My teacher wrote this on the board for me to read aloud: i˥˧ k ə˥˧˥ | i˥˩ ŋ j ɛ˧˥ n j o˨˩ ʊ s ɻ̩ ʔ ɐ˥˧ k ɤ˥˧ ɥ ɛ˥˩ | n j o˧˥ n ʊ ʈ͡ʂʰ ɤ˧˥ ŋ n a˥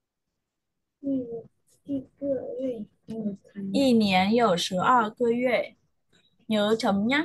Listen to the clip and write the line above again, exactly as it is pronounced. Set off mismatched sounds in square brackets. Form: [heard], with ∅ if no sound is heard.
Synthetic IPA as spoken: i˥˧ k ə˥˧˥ | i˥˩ [n] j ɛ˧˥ n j o˨˩ ʊ [ʂ] ɻ̩ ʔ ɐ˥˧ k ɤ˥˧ ɥ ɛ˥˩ | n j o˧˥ [∅] ʊ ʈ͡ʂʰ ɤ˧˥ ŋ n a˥

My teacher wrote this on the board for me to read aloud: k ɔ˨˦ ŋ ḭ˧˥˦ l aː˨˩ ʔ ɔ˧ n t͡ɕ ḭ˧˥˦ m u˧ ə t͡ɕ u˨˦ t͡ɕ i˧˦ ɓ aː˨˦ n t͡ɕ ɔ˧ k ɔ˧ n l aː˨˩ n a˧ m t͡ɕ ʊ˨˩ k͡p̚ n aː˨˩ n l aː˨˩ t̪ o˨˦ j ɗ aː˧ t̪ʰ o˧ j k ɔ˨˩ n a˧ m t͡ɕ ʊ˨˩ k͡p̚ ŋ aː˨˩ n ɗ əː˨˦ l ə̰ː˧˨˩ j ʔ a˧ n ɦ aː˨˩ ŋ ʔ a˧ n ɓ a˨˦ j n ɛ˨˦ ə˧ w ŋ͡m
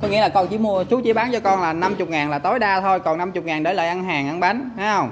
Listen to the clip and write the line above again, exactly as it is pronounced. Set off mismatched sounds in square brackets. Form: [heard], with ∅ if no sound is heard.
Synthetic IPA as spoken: k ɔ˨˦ ŋ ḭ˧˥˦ l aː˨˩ [k] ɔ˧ n t͡ɕ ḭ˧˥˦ m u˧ ə t͡ɕ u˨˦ t͡ɕ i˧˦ ɓ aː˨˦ n t͡ɕ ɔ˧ k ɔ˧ n l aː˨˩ n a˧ m t͡ɕ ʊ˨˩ k͡p̚ [ŋ] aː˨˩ n l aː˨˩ t̪ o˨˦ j ɗ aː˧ t̪ʰ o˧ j k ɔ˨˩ n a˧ m t͡ɕ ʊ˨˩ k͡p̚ ŋ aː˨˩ n ɗ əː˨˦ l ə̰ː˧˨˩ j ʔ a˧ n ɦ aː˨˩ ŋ ʔ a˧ n ɓ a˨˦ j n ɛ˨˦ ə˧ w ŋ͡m

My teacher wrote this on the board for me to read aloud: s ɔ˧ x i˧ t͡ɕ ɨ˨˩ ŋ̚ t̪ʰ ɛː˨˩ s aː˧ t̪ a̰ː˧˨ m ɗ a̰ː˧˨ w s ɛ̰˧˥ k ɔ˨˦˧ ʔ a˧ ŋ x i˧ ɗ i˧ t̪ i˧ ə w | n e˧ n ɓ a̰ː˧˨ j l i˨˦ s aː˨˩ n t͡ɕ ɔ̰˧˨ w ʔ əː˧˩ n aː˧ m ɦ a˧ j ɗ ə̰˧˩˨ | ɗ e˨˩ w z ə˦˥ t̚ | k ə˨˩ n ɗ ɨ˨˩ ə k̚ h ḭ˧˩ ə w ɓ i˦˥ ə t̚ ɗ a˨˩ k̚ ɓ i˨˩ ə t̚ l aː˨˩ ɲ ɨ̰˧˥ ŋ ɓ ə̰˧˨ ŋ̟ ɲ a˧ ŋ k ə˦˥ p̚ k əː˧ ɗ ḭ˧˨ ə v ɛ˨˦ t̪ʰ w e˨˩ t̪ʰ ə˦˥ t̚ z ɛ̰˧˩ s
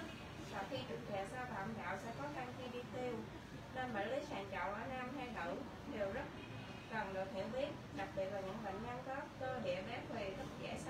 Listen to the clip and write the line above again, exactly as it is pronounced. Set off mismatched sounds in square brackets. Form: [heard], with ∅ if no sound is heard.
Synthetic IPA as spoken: s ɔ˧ x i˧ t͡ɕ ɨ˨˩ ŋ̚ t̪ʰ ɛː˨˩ s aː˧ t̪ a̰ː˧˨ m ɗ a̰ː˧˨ w s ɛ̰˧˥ k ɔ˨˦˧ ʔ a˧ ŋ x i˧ ɗ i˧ t̪ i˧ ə w | n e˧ n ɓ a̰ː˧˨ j l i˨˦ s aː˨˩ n t͡ɕ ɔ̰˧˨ w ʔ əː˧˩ n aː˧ m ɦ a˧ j ɗ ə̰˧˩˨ | ɗ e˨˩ w z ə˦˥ t̚ | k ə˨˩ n ɗ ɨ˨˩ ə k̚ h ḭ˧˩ ə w ɓ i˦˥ ə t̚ ɗ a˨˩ k̚ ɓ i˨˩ ə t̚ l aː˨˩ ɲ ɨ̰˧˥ ŋ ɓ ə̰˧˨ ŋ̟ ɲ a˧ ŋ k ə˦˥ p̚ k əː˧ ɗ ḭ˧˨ ə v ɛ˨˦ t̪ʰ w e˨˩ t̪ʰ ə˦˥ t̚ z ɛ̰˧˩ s

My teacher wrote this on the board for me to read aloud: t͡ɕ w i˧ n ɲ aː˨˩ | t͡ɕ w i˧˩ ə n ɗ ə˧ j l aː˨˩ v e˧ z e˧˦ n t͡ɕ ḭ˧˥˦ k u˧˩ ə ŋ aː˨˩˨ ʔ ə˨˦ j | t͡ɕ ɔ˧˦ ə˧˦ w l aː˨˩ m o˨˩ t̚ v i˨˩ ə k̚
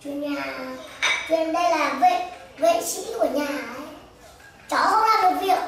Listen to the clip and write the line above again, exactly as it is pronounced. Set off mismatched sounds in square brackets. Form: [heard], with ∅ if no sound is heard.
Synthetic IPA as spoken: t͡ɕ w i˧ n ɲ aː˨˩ | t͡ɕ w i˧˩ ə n ɗ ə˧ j l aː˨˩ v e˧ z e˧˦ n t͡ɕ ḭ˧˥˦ k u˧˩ ə [ɲ] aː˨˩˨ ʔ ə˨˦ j | t͡ɕ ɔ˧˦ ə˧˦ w l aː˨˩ m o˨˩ t̚ v i˨˩ ə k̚

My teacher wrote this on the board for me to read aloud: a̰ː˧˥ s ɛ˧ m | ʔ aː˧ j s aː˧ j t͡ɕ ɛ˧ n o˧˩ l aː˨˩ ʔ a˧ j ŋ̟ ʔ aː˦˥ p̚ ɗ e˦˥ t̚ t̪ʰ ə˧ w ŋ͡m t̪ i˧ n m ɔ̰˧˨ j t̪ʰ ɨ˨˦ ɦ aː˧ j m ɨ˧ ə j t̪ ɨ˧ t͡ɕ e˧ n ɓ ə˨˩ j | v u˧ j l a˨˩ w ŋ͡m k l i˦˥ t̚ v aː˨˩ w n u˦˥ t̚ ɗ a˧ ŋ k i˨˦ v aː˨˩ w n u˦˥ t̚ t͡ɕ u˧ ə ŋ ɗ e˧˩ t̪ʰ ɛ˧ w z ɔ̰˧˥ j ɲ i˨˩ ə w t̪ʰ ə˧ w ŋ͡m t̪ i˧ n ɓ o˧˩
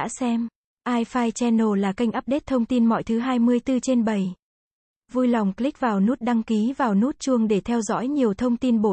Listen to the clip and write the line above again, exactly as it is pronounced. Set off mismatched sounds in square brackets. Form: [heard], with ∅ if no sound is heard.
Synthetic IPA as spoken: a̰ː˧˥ s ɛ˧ m | ʔ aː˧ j [f] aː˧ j t͡ɕ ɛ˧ n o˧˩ l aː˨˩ [k] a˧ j ŋ̟ ʔ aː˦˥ p̚ ɗ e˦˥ t̚ t̪ʰ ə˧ w ŋ͡m t̪ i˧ n m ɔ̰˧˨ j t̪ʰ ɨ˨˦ ɦ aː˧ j m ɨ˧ ə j t̪ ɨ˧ t͡ɕ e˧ n ɓ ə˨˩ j | v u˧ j l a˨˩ w ŋ͡m k l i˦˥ [k̚] v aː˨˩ w n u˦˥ t̚ ɗ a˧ ŋ k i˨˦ v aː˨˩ w n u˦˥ t̚ t͡ɕ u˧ ə ŋ ɗ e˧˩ t̪ʰ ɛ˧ w z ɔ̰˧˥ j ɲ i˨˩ ə w t̪ʰ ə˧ w ŋ͡m t̪ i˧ n ɓ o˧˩

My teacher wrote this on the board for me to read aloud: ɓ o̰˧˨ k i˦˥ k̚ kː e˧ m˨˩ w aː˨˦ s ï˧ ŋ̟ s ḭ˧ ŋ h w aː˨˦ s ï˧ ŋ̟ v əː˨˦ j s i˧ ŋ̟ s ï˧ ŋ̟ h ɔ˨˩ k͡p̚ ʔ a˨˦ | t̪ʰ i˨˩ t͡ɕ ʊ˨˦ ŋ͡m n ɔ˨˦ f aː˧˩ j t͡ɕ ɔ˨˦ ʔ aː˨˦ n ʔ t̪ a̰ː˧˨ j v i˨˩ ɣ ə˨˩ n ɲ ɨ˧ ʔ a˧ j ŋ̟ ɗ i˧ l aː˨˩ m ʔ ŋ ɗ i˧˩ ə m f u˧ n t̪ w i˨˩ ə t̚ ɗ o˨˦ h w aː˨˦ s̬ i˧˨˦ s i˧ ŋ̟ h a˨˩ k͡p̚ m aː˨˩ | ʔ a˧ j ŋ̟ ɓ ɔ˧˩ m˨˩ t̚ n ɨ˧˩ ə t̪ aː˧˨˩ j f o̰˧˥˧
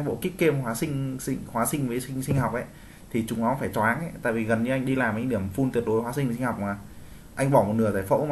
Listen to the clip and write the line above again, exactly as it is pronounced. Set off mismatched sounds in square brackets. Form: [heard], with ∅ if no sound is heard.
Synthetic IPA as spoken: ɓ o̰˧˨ k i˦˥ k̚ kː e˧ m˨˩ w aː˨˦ s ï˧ ŋ̟ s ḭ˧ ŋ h w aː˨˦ s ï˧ ŋ̟ v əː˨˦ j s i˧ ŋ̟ s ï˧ ŋ̟ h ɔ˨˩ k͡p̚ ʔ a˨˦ | t̪ʰ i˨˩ t͡ɕ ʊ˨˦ ŋ͡m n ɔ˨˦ f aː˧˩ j t͡ɕ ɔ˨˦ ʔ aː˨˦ n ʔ t̪ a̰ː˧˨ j v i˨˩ ɣ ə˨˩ n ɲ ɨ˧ ʔ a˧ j ŋ̟ ɗ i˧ l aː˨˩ m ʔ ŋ ɗ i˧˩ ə m f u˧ n t̪ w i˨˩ ə t̚ ɗ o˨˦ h w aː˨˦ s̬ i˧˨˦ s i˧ ŋ̟ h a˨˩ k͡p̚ m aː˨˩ | ʔ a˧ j ŋ̟ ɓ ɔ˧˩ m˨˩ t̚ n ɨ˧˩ ə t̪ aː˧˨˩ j f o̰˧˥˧

